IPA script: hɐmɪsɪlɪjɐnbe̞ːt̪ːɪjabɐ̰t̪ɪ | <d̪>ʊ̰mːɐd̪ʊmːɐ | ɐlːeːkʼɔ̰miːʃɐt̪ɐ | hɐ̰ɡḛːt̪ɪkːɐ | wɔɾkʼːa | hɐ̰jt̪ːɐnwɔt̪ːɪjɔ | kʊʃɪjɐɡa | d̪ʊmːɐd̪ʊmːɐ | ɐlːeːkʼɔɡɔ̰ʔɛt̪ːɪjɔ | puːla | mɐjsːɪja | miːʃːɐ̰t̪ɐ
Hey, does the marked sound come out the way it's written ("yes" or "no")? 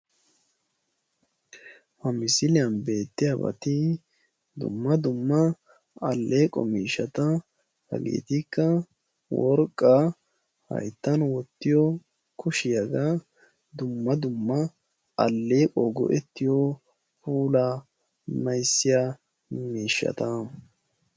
yes